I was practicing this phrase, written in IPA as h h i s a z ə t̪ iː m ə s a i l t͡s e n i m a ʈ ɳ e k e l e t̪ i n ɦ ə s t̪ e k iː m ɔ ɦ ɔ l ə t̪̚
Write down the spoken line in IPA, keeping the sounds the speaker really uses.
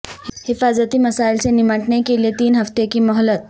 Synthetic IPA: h h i f a z ə t̪ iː m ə s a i l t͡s e n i m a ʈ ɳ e k e l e t̪ iː n ɦ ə f t̪ e k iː m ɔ ɦ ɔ l ə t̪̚